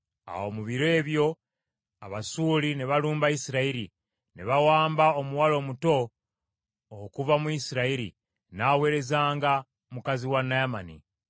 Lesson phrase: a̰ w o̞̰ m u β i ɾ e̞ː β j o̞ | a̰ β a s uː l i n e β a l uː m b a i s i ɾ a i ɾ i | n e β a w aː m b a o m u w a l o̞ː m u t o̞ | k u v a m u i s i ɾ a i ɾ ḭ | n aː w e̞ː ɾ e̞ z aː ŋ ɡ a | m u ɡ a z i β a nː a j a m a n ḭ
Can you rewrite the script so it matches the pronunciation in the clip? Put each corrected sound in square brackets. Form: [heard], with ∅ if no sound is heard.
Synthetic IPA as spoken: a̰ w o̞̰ m u β i ɾ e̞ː β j o̞ | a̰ β a s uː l i n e β a l uː m b a i s i ɾ a i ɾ i | n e β a w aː m b a o m u w a l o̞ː m u t o̞ | k u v a m u i s i ɾ a i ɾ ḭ | n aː w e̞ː ɾ e̞ z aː ŋ ɡ a | m u [k] a z i [w] a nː a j a m a n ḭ